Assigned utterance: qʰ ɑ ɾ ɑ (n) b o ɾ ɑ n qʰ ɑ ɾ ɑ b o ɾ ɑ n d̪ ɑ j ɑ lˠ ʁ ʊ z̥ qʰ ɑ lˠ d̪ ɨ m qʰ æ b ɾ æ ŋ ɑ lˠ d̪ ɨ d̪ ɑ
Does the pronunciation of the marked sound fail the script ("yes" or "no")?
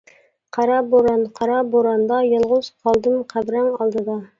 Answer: yes